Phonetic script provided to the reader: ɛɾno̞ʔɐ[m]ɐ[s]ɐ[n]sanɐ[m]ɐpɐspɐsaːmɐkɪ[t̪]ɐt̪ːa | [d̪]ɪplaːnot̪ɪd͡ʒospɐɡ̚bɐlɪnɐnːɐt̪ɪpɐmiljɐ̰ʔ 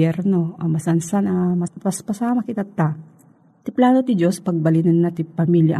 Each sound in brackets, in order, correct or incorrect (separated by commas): correct, correct, correct, correct, correct, incorrect